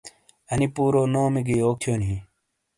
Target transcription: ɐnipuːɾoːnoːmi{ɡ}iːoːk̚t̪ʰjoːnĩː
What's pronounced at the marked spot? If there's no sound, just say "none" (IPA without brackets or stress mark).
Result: ɡ